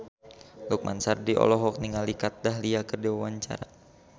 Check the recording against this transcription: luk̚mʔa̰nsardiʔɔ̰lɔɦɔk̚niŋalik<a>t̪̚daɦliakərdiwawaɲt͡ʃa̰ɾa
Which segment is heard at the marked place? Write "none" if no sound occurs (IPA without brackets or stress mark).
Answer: a